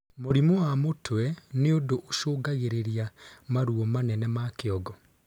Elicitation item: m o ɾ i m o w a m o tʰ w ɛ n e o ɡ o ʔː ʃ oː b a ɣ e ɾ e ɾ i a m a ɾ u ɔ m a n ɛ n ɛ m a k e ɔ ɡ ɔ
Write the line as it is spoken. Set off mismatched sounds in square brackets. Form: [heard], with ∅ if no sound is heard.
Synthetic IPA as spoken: m o ɾ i m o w a m o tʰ w ɛ n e o [d] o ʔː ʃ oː [ɡ] a ɣ e ɾ e ɾ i a m a ɾ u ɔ m a n ɛ n ɛ m a k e ɔ ɡ ɔ

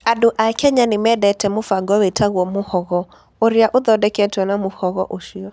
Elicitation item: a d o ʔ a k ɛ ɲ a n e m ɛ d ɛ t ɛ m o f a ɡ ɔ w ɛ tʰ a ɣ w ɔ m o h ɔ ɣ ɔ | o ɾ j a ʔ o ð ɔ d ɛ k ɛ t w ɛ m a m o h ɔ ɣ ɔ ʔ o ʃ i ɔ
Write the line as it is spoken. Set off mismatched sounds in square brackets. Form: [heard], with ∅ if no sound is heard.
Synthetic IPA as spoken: a d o ʔ a k ɛ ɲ a n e m ɛ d ɛ t ɛ m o f a ɡ ɔ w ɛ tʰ a ɣ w ɔ m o h ɔ ɣ ɔ | o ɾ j a ʔ o ð ɔ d ɛ k ɛ t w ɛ [n] a m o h ɔ ɣ ɔ ʔ o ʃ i ɔ

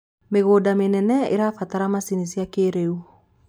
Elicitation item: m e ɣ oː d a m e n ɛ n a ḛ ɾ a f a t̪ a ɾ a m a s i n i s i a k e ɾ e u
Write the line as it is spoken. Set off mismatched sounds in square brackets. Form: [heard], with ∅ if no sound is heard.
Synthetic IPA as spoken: m e ɣ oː d a m e n ɛ n [ɛ] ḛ ɾ a f a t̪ a ɾ a m a s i n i s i a k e ɾ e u

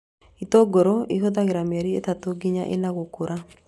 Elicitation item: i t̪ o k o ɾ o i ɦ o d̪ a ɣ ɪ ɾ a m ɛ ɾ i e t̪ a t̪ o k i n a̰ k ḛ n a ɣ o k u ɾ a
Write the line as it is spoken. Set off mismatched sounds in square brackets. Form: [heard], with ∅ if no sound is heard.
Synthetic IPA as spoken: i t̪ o [ɡ] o ɾ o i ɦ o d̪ a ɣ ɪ ɾ a m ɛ ɾ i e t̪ a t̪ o [ɡ] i [ɲ] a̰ [ʔ] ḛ n a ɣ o k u ɾ a

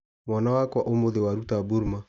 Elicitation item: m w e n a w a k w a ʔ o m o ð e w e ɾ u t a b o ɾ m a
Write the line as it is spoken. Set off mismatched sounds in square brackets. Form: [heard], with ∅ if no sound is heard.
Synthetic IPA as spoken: m w [a] n a w a k w a ʔ o m o ð e w [a] ɾ u t a b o ɾ m a

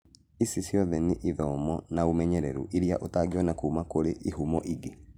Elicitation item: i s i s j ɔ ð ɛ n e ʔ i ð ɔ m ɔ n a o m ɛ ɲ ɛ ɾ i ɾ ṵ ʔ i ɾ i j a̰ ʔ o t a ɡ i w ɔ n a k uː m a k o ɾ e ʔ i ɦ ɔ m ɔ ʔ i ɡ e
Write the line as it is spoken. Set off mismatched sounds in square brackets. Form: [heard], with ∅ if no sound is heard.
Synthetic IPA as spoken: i s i s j ɔ ð ɛ n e ʔ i ð ɔ m ɔ n a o m ɛ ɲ ɛ ɾ [ɛ] ɾ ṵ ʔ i ɾ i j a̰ ʔ o t a ɡ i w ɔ n a k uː m a k o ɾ e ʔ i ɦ [u] m ɔ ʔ i ɡ e

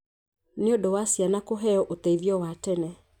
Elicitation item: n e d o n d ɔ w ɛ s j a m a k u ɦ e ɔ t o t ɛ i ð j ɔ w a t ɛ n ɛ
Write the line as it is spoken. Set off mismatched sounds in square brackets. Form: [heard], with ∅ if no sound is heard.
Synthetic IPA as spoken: n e [∅] o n d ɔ w [a] s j a [n] a k [o] ɦ [ɛ] ɔ [ʔ] o t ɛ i ð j ɔ w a t ɛ n ɛ

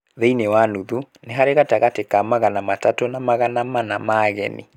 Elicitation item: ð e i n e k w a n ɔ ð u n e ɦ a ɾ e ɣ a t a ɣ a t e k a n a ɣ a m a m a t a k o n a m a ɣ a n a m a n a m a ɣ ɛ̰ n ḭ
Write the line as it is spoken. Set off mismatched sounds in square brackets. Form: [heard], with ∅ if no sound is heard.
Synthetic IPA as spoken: ð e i n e [∅] w a n [u] ð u n e ɦ a ɾ e ɣ a t a ɣ a t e k a [m] a ɣ a [n] a m a t a [t] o n a m a ɣ a n a m a n a m a ɣ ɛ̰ n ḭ

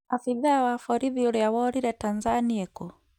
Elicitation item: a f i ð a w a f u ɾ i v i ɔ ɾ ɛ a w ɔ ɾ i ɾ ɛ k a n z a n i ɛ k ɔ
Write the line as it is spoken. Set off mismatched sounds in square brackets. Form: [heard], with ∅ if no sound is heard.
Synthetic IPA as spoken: a f i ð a w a f [ɔ] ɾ i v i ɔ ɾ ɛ a w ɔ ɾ i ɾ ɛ [t] a n z a n i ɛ k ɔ

